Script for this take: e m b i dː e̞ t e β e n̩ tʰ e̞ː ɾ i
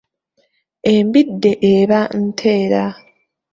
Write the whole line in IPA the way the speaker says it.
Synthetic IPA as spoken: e m b i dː e̞ ʔ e β a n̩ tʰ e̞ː ɾ a